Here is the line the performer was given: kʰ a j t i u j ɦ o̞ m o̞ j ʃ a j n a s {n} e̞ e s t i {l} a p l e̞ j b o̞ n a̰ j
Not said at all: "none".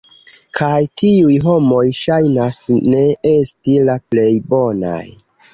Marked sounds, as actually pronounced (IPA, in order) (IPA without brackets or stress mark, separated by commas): n, l